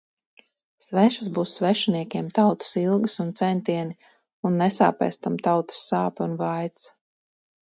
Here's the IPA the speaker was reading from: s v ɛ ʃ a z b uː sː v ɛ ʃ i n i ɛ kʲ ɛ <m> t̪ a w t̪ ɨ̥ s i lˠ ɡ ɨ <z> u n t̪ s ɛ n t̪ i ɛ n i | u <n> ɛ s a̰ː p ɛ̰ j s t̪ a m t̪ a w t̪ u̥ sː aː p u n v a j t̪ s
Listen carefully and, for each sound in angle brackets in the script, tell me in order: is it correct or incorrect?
correct, incorrect: s, incorrect: nː

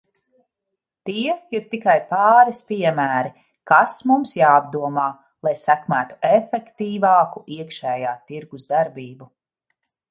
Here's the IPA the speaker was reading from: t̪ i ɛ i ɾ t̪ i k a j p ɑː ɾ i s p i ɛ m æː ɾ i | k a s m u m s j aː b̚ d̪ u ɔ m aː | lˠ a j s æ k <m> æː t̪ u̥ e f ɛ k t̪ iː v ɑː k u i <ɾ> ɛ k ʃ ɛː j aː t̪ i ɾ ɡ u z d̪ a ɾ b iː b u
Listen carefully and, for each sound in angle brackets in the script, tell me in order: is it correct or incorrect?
correct, incorrect: none

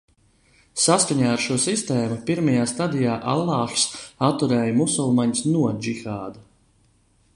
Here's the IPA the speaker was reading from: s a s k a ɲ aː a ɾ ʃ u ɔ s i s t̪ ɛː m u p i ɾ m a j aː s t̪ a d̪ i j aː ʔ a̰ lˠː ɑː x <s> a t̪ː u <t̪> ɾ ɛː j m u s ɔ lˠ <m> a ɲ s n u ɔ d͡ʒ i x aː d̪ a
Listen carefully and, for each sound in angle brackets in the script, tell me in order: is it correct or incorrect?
correct, incorrect: none, correct

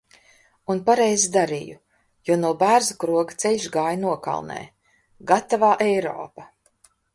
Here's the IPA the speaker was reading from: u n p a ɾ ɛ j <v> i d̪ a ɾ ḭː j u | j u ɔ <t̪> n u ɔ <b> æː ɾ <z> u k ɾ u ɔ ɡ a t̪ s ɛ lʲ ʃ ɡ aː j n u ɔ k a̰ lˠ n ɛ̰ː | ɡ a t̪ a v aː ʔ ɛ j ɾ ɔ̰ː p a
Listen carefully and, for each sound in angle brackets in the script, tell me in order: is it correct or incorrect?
incorrect: z, incorrect: none, correct, correct

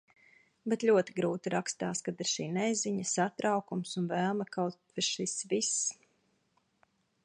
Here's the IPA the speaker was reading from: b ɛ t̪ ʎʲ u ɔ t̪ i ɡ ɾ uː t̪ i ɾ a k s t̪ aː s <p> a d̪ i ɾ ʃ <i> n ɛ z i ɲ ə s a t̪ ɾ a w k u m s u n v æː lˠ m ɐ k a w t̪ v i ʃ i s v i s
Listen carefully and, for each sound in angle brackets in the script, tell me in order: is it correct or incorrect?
incorrect: k, incorrect: iː

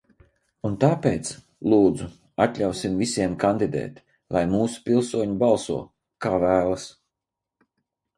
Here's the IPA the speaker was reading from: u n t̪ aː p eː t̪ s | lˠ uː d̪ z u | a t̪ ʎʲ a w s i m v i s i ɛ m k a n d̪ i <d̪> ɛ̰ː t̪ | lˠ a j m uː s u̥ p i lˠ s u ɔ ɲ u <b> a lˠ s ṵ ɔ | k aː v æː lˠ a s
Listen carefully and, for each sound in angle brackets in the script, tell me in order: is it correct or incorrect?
correct, correct

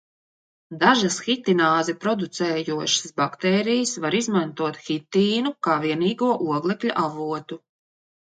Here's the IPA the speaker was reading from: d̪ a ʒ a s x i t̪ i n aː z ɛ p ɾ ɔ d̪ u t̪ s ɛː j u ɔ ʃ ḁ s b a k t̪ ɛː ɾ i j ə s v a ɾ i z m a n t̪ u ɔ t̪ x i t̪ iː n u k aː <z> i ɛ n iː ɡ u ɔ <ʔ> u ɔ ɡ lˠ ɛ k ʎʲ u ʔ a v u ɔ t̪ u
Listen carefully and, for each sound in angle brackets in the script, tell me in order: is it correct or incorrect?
incorrect: v, correct

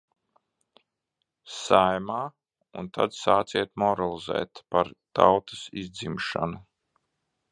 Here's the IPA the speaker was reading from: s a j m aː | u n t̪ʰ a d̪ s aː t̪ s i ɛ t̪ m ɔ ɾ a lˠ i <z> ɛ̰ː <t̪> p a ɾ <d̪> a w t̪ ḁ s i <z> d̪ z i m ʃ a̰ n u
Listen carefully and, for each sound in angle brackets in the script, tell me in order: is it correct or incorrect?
correct, correct, incorrect: t̪, correct

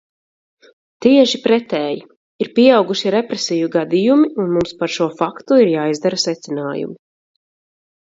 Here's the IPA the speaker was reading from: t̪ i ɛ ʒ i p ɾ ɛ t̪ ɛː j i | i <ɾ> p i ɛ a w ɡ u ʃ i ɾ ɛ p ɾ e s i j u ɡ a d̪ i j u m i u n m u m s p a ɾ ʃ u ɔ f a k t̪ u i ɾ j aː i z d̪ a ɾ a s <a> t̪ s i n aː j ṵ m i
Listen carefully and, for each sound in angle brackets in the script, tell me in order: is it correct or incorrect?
correct, incorrect: ɛ

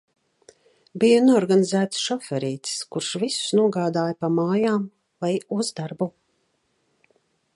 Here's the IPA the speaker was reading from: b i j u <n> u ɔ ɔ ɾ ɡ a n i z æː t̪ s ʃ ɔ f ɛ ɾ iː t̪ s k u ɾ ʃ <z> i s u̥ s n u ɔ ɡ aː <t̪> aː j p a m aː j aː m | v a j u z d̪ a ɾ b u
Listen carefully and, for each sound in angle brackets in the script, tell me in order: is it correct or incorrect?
correct, incorrect: v, incorrect: d̪

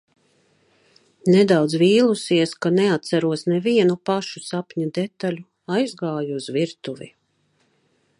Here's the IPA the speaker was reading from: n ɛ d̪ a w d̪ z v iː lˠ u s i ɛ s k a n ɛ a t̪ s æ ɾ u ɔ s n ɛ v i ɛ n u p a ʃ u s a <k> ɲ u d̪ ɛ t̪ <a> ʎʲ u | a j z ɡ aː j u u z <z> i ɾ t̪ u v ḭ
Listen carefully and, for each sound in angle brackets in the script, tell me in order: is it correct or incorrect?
incorrect: p, correct, incorrect: v

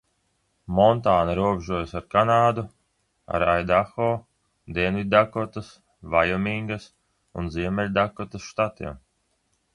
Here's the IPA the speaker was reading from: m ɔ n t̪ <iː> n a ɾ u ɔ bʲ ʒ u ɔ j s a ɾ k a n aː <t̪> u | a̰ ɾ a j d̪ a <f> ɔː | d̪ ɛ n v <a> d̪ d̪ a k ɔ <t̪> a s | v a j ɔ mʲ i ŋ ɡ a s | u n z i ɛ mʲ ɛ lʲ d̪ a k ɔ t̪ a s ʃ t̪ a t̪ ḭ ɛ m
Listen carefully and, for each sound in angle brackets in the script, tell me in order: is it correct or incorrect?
incorrect: aː, incorrect: d̪, incorrect: x, incorrect: i, correct

